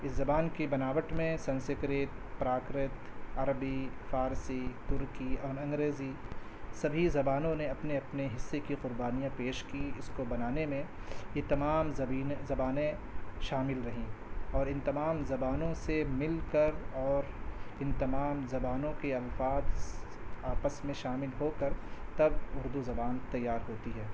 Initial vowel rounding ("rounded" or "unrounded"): unrounded